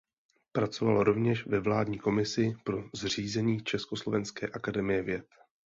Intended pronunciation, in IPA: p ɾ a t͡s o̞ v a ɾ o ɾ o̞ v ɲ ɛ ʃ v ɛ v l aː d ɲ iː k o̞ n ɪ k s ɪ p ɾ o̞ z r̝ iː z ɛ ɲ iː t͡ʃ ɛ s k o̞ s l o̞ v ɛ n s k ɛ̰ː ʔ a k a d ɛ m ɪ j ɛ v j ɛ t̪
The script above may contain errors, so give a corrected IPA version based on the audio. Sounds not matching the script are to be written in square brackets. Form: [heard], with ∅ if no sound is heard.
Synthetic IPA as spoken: p ɾ a t͡s o̞ v a [l] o ɾ o̞ v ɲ ɛ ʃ v ɛ v l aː d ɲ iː k o̞ [m] ɪ [∅] s ɪ p ɾ o̞ z r̝ iː z ɛ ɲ iː t͡ʃ ɛ s k o̞ s l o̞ v ɛ n s k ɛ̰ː ʔ a k a d ɛ m ɪ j ɛ v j ɛ t̪